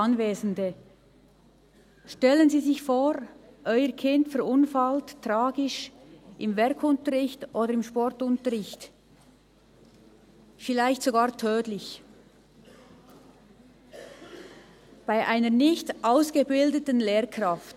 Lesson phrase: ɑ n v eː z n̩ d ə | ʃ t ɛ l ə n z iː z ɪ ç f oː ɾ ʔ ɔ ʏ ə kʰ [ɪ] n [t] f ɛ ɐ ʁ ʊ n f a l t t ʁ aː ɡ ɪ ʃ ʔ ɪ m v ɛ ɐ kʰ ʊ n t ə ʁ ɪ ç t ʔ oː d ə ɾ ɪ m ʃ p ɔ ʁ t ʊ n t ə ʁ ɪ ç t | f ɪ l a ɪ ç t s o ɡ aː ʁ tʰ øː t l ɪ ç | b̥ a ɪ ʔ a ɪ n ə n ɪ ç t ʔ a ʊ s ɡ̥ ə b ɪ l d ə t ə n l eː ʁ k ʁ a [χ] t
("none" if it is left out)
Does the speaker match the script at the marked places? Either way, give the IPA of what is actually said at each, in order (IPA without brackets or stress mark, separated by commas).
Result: ɪ, t, f